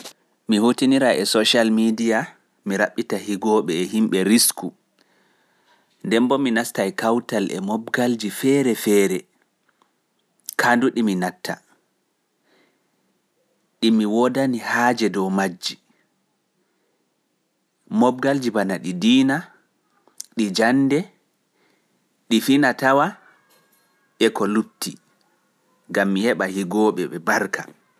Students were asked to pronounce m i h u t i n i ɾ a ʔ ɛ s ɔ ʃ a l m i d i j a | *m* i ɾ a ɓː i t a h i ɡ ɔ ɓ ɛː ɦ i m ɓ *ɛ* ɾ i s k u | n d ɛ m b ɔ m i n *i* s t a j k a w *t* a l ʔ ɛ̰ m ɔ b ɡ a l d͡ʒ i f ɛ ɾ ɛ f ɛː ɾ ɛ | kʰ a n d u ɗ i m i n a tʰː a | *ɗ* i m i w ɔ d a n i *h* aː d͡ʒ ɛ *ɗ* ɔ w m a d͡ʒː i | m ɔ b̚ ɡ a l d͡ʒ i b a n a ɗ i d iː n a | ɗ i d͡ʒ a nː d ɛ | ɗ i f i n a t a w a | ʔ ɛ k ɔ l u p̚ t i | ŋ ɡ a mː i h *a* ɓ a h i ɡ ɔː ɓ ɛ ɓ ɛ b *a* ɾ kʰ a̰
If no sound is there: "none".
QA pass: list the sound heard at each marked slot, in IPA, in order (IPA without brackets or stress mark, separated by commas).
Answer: m, ɛ, a, t, ɗ, h, d, ɛ, a